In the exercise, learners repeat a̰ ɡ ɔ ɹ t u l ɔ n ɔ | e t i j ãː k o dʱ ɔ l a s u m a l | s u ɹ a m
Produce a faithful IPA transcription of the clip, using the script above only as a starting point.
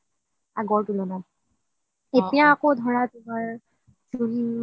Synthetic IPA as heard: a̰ ɡ ɔ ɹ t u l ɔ n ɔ | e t i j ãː k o dʱ ɔ ɹ a t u m a ɹ | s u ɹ i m